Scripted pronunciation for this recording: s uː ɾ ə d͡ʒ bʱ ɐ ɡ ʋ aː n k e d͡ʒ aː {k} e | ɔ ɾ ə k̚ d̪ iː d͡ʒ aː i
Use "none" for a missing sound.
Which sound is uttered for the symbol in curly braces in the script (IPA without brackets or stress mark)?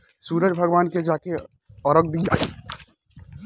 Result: k